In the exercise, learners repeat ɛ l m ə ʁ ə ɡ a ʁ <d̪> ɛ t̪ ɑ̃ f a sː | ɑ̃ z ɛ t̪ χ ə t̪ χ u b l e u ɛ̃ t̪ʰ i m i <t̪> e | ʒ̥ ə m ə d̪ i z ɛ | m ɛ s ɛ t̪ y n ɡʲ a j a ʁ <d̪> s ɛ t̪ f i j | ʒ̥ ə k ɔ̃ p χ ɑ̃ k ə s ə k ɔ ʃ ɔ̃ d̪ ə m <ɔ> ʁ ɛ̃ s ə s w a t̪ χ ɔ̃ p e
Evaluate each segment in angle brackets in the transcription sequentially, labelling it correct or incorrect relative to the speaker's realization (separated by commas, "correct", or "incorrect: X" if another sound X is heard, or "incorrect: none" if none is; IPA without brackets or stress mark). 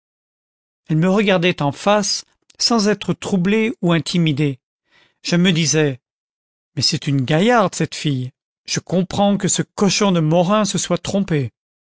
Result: correct, incorrect: d̪, correct, correct